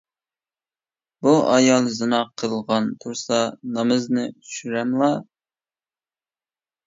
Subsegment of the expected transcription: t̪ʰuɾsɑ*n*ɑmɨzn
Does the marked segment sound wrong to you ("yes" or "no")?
no